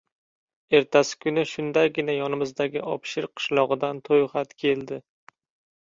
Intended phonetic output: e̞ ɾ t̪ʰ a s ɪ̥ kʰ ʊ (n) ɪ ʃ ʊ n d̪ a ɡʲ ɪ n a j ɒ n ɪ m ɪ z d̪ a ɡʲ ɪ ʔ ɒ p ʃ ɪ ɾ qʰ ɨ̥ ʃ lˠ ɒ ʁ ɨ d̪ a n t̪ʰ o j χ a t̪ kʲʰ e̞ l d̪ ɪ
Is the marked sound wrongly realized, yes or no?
no